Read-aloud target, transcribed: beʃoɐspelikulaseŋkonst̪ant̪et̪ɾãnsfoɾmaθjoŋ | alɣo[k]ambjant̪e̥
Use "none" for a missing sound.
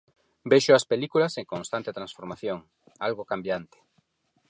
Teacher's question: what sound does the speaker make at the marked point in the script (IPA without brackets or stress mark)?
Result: k